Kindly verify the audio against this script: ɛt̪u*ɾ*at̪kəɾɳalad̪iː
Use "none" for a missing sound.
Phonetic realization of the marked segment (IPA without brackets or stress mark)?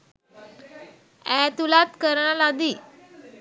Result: l